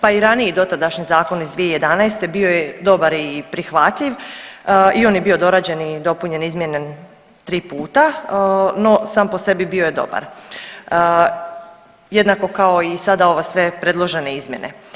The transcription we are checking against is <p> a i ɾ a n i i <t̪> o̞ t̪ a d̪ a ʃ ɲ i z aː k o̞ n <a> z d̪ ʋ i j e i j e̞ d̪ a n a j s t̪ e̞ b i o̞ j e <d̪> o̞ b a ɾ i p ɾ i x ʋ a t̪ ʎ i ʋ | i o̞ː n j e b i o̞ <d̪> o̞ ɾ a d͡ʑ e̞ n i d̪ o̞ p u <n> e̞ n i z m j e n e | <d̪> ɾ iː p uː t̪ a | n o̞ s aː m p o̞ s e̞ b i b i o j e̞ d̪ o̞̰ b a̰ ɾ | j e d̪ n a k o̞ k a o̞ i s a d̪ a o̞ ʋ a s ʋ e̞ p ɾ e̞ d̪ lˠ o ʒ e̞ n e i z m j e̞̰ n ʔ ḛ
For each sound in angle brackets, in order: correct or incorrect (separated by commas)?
correct, incorrect, incorrect, correct, correct, incorrect, incorrect